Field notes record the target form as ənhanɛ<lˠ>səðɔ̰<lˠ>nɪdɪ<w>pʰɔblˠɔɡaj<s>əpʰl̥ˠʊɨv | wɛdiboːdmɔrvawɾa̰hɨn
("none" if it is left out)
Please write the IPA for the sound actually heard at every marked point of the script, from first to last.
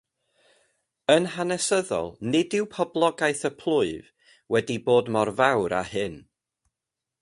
none, lˠ, w, θ

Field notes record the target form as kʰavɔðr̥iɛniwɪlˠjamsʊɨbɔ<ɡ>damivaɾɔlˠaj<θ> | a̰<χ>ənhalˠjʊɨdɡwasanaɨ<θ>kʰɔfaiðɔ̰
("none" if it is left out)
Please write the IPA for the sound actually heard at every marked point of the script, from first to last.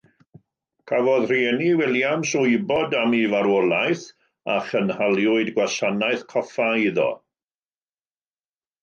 none, θ, χ, θ

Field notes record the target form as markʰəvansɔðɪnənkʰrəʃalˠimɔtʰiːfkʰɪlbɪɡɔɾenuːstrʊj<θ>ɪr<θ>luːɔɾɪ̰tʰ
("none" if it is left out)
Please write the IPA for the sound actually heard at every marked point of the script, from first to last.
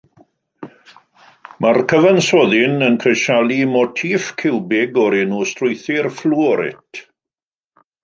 θ, f

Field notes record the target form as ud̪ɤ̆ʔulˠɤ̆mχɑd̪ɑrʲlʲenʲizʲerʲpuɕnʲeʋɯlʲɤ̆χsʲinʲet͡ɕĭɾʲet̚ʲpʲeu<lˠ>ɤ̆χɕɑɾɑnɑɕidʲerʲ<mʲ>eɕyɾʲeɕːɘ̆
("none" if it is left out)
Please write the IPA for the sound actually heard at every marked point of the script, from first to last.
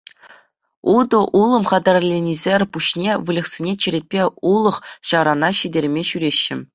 lˠ, mʲ

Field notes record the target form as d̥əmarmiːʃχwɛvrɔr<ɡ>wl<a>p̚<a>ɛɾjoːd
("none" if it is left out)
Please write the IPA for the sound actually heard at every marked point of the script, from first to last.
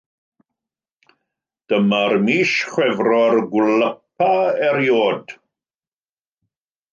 ɡ, ə, a

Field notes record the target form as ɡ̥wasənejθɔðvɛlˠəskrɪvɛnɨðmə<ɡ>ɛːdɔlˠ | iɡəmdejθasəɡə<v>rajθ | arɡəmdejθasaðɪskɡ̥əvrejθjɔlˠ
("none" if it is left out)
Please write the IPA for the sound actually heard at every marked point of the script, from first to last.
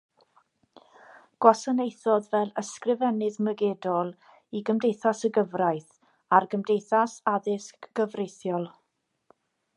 ɡ, v

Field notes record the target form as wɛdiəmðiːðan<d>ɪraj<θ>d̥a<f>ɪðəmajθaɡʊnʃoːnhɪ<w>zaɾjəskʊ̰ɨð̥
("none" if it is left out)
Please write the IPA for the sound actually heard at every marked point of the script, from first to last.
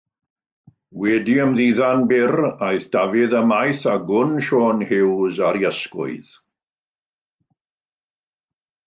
b, θ, v, w

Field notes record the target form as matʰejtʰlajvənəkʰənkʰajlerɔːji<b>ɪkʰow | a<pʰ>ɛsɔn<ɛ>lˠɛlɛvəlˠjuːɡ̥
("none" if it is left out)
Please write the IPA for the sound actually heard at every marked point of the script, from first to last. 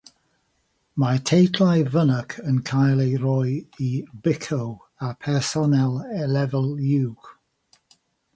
b, pʰ, ɛ

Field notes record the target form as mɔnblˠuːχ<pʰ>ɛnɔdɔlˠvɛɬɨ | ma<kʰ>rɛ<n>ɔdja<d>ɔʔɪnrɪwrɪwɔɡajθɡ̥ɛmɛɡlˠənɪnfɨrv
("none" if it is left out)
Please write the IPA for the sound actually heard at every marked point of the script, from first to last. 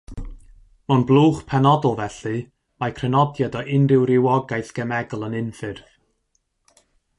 pʰ, kʰ, n, d

